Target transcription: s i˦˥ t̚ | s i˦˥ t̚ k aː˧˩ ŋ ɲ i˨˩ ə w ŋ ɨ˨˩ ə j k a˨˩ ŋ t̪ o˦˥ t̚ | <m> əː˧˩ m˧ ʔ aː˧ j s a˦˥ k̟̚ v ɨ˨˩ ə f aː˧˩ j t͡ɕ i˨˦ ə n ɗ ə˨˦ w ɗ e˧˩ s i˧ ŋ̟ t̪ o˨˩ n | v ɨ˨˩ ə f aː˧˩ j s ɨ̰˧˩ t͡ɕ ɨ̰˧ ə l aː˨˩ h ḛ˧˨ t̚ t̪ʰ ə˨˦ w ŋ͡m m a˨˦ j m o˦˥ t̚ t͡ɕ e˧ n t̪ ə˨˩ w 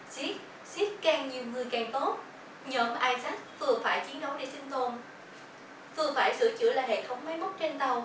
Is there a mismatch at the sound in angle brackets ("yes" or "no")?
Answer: yes